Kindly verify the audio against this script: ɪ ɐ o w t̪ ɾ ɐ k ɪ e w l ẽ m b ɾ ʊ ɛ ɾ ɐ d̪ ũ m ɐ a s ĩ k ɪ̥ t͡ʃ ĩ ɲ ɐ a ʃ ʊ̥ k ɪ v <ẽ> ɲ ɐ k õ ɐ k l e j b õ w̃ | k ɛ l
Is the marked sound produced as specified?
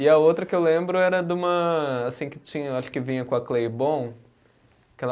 no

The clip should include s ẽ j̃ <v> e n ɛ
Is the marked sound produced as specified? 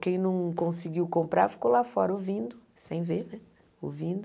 yes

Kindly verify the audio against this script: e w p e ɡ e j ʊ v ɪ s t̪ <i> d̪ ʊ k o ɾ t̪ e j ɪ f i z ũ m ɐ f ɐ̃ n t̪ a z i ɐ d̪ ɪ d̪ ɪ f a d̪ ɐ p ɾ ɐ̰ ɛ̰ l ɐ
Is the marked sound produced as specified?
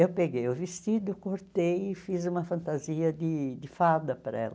yes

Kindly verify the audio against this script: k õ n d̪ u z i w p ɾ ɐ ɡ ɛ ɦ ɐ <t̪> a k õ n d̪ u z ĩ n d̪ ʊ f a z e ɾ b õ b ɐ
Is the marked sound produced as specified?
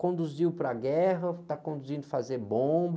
yes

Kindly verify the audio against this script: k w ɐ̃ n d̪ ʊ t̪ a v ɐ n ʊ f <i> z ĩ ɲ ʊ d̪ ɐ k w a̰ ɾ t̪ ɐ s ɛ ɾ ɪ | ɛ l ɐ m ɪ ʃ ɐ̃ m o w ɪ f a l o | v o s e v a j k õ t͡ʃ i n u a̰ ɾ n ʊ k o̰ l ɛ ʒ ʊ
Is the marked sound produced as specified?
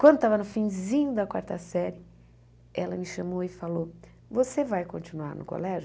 no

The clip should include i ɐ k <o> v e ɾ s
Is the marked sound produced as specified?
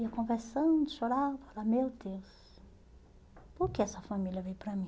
no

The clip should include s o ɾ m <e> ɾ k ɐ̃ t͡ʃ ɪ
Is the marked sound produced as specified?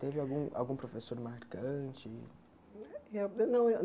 no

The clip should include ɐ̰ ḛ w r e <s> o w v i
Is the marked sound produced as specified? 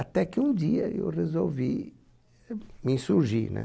no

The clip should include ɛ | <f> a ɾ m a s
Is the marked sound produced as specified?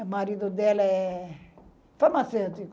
yes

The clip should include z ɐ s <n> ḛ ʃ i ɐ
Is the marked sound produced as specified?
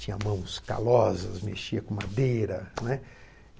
no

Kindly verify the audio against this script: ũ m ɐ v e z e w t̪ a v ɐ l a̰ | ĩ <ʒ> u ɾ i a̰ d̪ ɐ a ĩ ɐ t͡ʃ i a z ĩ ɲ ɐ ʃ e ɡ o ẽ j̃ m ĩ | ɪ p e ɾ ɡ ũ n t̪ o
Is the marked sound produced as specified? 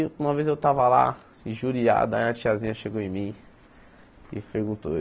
yes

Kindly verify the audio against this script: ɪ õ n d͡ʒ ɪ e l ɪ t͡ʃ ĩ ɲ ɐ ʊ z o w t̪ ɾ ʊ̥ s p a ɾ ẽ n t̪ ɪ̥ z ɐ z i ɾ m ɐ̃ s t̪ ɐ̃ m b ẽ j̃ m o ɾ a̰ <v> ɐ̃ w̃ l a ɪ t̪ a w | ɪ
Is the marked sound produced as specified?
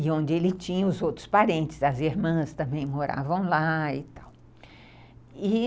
yes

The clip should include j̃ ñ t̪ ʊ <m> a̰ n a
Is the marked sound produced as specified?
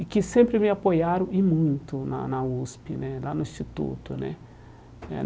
no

